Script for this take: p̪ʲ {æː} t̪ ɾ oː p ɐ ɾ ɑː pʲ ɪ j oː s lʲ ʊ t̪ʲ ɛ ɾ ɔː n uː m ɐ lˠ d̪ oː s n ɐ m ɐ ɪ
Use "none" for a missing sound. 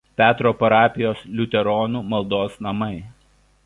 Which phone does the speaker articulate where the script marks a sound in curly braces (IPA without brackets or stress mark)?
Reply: æː